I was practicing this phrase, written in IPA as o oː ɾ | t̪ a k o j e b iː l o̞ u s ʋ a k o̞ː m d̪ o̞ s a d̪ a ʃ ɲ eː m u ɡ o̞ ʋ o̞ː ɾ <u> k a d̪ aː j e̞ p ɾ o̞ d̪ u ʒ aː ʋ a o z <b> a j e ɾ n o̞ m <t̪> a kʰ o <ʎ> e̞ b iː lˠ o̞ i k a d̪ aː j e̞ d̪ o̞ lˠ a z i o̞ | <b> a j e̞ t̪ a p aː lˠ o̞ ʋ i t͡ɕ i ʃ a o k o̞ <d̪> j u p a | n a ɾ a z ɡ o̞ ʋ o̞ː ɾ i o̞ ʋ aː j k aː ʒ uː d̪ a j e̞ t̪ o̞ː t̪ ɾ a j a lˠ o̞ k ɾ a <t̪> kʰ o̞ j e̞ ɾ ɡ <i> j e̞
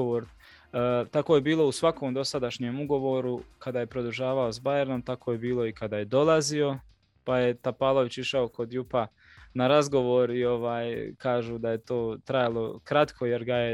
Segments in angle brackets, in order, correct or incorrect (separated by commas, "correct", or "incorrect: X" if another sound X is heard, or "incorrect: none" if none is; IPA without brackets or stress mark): correct, correct, correct, incorrect: j, incorrect: p, correct, correct, incorrect: a